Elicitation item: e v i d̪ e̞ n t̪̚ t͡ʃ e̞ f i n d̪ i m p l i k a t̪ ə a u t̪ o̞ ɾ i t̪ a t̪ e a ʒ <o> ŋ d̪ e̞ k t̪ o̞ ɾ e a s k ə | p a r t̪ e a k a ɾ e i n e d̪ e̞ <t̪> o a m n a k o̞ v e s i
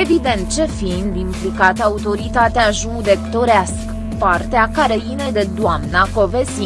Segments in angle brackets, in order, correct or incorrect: incorrect: u, incorrect: d̪

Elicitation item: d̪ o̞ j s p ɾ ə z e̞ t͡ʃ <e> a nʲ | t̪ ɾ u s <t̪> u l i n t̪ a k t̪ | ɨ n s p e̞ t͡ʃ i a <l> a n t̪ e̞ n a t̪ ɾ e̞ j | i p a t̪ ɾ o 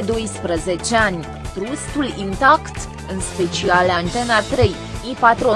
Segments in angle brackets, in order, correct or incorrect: correct, correct, correct

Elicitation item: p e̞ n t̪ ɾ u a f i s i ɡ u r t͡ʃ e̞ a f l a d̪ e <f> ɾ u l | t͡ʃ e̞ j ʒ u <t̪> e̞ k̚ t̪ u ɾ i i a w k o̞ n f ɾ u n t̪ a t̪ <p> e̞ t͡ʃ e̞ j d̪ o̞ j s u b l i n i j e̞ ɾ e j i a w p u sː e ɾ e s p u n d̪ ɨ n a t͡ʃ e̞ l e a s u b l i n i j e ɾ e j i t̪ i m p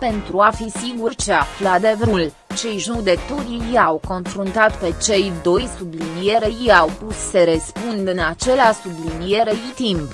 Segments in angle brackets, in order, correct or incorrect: incorrect: v, incorrect: d̪, correct

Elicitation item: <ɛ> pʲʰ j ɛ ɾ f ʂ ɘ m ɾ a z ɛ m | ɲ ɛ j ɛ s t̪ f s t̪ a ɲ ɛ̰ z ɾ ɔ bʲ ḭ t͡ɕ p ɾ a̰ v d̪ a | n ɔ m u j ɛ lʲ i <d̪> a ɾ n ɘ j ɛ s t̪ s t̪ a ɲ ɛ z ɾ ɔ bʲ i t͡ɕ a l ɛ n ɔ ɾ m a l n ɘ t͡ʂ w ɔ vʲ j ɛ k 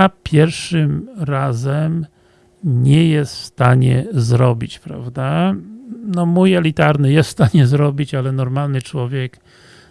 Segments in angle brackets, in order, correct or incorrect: incorrect: a, incorrect: t̪

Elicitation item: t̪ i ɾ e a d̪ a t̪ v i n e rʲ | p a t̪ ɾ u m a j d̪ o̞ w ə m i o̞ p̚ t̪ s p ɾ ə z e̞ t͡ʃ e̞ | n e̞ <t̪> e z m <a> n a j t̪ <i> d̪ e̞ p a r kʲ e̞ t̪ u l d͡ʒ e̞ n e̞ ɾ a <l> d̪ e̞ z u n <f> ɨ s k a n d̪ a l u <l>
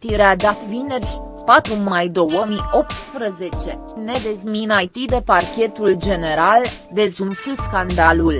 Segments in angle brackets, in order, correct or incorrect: incorrect: d̪, incorrect: i, correct, correct, correct, correct

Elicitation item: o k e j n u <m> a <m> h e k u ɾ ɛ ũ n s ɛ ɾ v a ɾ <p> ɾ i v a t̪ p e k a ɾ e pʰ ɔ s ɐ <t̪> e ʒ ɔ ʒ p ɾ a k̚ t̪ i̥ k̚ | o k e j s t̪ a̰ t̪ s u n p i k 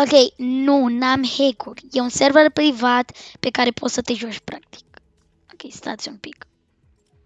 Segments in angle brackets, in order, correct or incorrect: incorrect: n, correct, correct, correct

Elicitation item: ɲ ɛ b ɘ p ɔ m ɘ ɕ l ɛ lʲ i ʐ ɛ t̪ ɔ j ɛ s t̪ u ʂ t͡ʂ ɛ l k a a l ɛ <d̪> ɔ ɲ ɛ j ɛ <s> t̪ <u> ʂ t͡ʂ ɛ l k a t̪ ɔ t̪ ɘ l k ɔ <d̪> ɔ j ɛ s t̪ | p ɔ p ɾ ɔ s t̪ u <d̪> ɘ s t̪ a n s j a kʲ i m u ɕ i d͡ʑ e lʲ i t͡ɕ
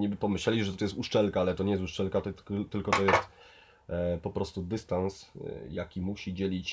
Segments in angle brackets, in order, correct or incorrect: incorrect: t̪, correct, correct, incorrect: t̪, correct

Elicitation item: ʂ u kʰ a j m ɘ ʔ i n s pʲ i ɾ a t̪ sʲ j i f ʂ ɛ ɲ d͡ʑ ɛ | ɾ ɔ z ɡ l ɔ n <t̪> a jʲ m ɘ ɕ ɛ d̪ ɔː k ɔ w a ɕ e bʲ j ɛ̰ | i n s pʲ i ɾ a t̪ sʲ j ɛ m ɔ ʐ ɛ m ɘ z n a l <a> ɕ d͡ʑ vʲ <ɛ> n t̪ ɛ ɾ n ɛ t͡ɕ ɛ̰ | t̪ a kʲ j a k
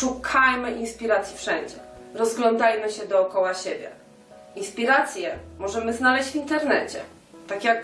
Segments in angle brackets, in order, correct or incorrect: incorrect: d̪, incorrect: ɛ, incorrect: i

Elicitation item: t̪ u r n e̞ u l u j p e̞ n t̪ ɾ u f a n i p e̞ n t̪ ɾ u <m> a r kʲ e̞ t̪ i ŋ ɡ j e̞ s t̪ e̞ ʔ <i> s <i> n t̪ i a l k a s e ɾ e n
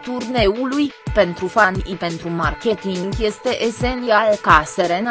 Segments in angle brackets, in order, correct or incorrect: correct, incorrect: e, incorrect: e

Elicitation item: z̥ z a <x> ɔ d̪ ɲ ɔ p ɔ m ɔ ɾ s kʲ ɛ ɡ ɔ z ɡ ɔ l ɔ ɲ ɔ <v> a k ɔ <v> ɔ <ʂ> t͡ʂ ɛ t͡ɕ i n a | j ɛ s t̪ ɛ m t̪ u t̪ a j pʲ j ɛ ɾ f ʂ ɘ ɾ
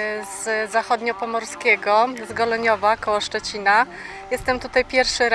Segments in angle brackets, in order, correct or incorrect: correct, correct, incorrect: w, correct

